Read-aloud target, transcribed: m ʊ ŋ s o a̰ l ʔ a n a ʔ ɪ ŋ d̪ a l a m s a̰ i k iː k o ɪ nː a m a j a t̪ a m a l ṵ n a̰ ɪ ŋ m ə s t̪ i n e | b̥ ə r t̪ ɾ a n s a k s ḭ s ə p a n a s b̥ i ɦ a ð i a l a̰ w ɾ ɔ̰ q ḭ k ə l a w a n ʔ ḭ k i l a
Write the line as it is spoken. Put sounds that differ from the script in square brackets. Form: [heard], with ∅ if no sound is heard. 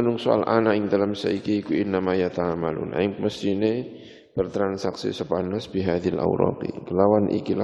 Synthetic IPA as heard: [n] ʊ ŋ s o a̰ l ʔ a n a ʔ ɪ ŋ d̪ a l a m s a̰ i k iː k [u] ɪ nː a m a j a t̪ a m a l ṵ n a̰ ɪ ŋ m ə s t̪ i n e | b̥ ə r t̪ ɾ a n s a k s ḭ s ə p a n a s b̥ i ɦ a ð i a l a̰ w ɾ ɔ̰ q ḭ k ə l a w a n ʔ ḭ k i l a